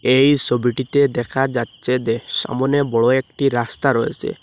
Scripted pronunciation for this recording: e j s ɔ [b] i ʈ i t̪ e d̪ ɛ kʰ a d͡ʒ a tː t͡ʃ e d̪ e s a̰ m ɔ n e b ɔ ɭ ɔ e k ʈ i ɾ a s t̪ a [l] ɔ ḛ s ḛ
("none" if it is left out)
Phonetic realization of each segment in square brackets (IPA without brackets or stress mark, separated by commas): b, ɾ